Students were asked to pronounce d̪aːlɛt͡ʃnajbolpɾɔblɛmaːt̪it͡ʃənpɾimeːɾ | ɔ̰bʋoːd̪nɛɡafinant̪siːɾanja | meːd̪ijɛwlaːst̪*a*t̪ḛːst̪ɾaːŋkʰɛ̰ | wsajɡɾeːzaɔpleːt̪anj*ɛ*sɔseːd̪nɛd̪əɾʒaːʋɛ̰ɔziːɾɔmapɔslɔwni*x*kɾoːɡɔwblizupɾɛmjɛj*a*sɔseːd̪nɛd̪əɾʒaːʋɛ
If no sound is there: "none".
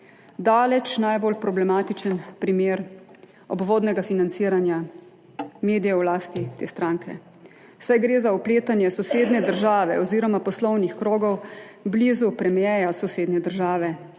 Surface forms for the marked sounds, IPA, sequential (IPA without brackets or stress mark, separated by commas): i, ɛ, x, a